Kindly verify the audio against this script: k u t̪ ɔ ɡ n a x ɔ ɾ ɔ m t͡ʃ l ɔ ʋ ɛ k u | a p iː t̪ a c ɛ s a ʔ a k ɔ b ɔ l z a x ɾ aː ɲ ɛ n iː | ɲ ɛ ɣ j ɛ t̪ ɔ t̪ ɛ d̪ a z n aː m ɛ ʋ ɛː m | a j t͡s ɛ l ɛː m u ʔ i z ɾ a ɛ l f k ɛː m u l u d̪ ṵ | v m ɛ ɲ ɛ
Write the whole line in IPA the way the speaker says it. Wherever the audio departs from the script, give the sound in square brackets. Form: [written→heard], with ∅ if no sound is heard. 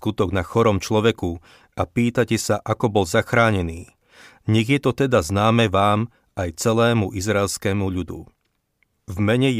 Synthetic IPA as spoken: k u t̪ ɔ ɡ n a x ɔ ɾ ɔ m t͡ʃ l ɔ ʋ ɛ k u | a p iː t̪ a c ɛ s a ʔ a k ɔ b ɔ l z a x ɾ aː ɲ ɛ n iː | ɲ ɛ ɣ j ɛ t̪ ɔ t̪ ɛ d̪ a z n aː m ɛ ʋ [ɛː→aː] m | a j t͡s ɛ l ɛː m u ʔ i z ɾ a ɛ l [f→s] k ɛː m u [l→ʎ] u d̪ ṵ | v m ɛ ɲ ɛ